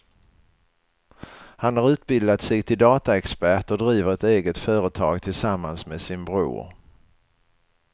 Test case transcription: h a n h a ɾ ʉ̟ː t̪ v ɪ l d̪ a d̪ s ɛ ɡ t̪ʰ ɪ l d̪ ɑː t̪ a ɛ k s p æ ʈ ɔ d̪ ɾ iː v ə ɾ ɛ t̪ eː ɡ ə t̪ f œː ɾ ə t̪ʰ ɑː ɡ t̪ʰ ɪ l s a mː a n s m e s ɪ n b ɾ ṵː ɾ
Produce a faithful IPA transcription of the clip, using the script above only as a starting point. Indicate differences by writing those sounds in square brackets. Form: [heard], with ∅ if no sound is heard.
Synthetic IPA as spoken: h a n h a ɾ ʉ̟ː t̪ [b] ɪ l d̪ a [t̪] s ɛ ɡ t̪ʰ ɪ l d̪ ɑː t̪ a ɛ k s p æ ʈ ɔ d̪ ɾ iː v ə ɾ ɛ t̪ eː ɡ ə t̪ f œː ɾ ə t̪ʰ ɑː ɡ t̪ʰ ɪ l s a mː a n s m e s ɪ n b ɾ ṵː ɾ

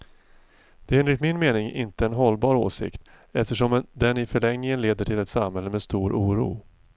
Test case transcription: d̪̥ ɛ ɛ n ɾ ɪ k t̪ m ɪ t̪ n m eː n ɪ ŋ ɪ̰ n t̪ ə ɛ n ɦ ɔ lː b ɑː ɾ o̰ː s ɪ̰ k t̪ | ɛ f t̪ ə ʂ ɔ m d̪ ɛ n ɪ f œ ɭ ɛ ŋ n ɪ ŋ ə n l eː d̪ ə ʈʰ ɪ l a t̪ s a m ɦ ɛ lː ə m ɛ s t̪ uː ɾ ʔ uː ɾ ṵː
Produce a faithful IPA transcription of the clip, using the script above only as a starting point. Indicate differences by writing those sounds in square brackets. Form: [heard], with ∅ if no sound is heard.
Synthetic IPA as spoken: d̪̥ ɛ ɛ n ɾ ɪ k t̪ m ɪ [∅] n m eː n ɪ ŋ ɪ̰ n t̪ ə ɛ n ɦ ɔ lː b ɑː ɾ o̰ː s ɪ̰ k t̪ | ɛ f t̪ ə ʂ ɔ m d̪ ɛ n ɪ f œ ɭ ɛ ŋ n ɪ ŋ ə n l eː d̪ ə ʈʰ ɪ l [ɛ] t̪ s a m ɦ ɛ lː ə m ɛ s t̪ uː ɾ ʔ uː ɾ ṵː

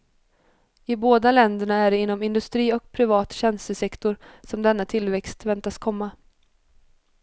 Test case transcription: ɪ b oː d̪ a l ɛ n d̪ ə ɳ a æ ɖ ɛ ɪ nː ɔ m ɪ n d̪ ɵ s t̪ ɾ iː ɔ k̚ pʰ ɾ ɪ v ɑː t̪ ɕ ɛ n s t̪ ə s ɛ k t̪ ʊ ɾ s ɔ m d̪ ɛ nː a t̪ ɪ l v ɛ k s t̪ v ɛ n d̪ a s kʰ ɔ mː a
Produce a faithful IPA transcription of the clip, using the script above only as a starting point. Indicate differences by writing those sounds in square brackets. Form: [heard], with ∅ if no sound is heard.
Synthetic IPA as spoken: ɪ b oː d̪ a l ɛ n d̪ ə ɳ a æ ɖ ɛ ɪ nː ɔ m ɪ n d̪ ɵ s t̪ ɾ iː ɔ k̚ pʰ ɾ ɪ v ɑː t̪ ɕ ɛ n s t̪ ə s ɛ k t̪ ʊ ɾ s ɔ m d̪ ɛ nː a [t̪ʰ] ɪ l v ɛ k s t̪ v ɛ n [t̪] a s kʰ ɔ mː a

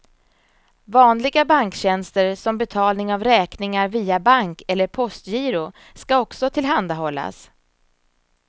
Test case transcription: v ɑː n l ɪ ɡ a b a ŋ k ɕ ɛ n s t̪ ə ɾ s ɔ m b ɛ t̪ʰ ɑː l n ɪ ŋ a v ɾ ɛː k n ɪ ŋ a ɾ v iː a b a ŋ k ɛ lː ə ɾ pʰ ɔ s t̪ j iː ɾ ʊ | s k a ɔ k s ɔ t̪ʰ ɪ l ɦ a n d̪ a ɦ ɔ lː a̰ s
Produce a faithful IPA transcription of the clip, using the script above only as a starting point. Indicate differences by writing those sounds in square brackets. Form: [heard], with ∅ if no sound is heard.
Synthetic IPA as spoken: v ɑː n l ɪ ɡ a b a ŋ k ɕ ɛ n s t̪ ə ɾ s ɔ m b ɛ t̪ʰ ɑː l n ɪ ŋ a v ɾ ɛː k n ɪ ŋ a ɾ v iː a b a ŋ k ɛ lː ə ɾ pʰ ɔ s t̪ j iː ɾ ʊ | s k a ɔ k s ɔ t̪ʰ ɪ l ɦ a n d̪ a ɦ ɔ lː a̰ s

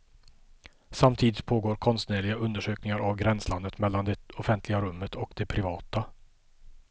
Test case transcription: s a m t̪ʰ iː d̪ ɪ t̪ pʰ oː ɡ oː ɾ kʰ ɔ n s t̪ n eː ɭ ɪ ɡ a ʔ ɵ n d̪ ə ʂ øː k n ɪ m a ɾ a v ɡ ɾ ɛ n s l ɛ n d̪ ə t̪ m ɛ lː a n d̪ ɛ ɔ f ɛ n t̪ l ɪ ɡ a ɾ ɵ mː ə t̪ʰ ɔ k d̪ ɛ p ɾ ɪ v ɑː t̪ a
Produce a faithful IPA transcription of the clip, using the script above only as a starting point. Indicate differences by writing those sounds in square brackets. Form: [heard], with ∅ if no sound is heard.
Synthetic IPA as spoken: s a m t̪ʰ iː d̪ ɪ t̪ pʰ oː ɡ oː ɾ kʰ ɔ n s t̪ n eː ɭ ɪ ɡ a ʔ ɵ n d̪ ə ʂ øː k n ɪ [ŋ] a ɾ a v ɡ ɾ ɛ n s l [a] n d̪ ə t̪ m ɛ lː a n d̪ ɛ ɔ f ɛ n t̪ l ɪ ɡ a ɾ ɵ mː ə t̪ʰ ɔ k d̪ ɛ [pʰ] ɾ ɪ v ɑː t̪ a

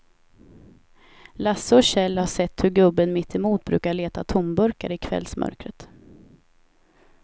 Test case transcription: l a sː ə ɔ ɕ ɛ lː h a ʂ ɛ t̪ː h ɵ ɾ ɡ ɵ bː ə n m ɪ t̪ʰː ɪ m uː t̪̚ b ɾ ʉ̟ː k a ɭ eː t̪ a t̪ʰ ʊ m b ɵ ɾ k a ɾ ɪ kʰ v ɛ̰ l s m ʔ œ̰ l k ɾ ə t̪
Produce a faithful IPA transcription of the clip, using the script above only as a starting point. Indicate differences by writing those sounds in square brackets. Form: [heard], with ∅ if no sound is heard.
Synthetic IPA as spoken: l a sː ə ɔ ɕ ɛ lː h a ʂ ɛ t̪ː h ɵ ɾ ɡ ɵ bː ə n m ɪ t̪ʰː ɪ m uː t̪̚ b ɾ ʉ̟ː k a ɭ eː t̪ a t̪ʰ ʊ m b ɵ ɾ k a ɾ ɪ kʰ v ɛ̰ l s m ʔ œ̰ [ɾ] k ɾ ə t̪

